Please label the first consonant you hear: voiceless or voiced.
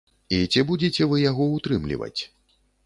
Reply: voiceless